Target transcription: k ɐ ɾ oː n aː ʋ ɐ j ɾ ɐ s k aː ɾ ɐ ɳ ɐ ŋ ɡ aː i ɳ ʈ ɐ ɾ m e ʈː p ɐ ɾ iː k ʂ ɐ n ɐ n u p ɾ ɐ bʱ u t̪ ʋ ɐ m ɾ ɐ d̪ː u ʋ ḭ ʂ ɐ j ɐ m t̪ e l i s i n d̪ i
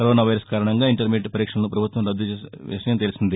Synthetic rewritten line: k ɐ ɾ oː n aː ʋ ɐ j ɾ ɐ s k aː ɾ ɐ ɳ ɐ ŋ ɡ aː i ɳ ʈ ɐ ɾ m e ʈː p ɐ ɾ iː k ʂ ɐ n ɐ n u p ɾ ɐ bʱ u t̪ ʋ ɐ m ɾ ɐ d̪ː u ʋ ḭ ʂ ɐ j ɐ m t̪ e l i s i n d̪ i